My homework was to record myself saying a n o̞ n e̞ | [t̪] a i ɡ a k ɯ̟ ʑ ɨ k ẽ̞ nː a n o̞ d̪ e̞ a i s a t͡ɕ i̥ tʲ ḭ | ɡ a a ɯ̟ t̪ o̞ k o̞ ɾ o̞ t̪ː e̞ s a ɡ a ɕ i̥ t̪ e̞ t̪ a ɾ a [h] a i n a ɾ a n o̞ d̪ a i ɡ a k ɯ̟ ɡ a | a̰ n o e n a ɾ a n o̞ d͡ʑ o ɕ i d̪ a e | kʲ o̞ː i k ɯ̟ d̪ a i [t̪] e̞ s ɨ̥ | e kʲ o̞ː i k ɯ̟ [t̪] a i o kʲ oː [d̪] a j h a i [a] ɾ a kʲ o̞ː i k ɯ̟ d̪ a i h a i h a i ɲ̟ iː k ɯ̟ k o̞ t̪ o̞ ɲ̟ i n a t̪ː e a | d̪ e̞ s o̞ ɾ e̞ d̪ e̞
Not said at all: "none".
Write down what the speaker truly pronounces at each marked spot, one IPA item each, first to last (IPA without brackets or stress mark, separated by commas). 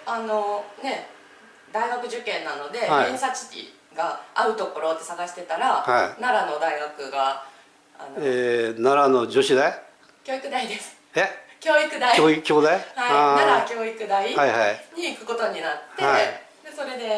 d̪, h, d̪, d̪, d̪, a